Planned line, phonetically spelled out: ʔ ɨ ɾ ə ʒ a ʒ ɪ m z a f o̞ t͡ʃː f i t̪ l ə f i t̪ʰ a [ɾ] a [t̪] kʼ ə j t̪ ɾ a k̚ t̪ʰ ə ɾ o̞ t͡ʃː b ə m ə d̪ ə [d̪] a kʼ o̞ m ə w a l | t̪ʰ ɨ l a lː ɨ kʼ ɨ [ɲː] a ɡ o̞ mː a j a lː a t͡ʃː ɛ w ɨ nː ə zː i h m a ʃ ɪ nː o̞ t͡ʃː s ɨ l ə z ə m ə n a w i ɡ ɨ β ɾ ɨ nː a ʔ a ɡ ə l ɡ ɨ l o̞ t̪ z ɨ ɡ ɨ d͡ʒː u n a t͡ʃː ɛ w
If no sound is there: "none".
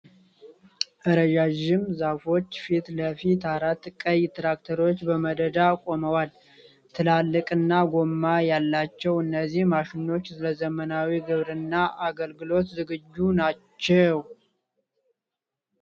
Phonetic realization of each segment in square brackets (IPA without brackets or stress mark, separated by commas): ɾ, t̪, d̪, nː